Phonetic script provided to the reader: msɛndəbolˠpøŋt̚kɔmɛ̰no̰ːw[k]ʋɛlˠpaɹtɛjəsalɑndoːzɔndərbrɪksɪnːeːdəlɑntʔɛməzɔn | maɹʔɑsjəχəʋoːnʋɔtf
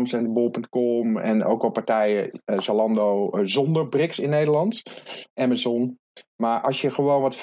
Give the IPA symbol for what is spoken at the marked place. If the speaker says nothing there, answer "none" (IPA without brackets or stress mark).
k